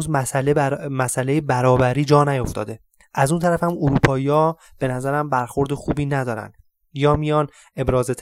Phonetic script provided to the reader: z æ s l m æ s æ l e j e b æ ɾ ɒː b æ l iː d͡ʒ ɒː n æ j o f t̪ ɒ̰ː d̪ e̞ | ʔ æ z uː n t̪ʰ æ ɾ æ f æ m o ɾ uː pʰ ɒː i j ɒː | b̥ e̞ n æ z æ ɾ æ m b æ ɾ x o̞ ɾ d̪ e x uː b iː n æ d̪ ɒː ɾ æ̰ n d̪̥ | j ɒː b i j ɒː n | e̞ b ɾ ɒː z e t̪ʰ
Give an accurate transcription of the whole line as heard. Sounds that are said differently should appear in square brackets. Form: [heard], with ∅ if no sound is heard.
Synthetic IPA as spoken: z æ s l m æ s æ l e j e b æ ɾ ɒː b æ [ɾ] iː d͡ʒ ɒː n æ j o f t̪ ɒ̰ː d̪ e̞ | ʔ æ z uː n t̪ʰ æ ɾ æ f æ m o ɾ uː pʰ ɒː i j ɒː | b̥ e̞ n æ z æ ɾ æ m b æ ɾ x o̞ ɾ d̪ e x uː b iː n æ d̪ ɒː ɾ æ̰ n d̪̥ | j ɒː [m] i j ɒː n | e̞ b ɾ ɒː z e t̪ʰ